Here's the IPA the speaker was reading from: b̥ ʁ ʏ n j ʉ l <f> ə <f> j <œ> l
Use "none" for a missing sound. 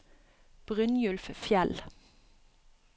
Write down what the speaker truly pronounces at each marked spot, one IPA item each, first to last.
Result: f, f, ɛ

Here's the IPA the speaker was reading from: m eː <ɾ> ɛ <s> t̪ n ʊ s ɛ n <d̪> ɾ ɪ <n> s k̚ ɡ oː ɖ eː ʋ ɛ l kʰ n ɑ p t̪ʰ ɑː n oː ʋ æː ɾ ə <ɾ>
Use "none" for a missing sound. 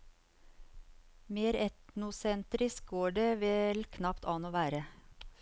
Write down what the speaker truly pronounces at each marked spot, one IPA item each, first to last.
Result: ɾ, none, t̪, none, none

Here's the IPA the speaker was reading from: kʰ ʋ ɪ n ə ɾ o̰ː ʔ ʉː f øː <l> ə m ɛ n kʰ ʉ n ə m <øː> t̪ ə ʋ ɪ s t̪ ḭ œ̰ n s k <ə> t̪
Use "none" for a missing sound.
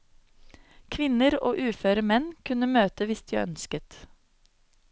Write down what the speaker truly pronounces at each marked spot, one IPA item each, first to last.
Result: ɾ, øː, ə

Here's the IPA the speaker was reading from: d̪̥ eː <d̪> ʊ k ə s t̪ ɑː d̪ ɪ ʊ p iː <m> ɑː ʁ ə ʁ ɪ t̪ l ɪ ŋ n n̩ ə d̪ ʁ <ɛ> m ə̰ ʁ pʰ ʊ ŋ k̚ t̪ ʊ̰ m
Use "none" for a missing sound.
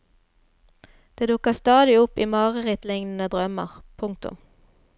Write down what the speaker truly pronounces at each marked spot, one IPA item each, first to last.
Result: d̪, m, œ

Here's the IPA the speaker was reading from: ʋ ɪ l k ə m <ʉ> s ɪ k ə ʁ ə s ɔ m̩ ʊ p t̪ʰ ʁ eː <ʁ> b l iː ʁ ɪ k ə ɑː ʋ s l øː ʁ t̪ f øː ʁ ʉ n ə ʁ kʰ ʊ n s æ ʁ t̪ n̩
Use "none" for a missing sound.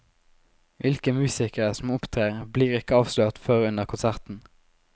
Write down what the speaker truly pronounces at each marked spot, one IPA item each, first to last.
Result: ʉː, ʁ

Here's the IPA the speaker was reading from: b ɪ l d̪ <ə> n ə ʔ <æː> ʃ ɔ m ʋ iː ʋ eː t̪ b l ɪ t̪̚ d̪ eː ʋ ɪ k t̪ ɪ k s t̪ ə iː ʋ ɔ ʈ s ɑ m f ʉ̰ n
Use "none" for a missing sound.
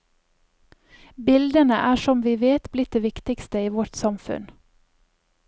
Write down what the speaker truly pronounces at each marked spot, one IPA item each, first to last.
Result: ə, æː

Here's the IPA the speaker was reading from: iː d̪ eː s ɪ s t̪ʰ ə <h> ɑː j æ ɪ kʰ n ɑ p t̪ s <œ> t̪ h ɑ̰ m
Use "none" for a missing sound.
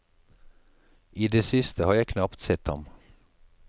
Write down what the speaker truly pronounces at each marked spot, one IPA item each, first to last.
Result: h, ɛ

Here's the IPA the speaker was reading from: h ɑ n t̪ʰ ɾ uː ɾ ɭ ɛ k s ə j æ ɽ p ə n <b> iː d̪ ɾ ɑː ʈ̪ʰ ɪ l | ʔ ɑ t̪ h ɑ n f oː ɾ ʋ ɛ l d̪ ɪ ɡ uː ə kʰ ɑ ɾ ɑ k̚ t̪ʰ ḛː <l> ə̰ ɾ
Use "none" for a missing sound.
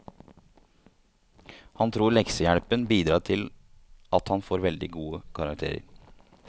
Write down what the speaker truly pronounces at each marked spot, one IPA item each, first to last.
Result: b, ɾ

